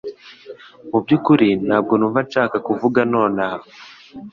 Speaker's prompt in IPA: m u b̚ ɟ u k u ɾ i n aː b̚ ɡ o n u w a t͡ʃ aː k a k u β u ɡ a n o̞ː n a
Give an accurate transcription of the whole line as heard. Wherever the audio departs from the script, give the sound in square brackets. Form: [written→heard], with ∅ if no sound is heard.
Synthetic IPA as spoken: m u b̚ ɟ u k u ɾ i n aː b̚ ɡ o n u [w→v] a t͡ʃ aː k a k u [β→v] u ɡ a n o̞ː n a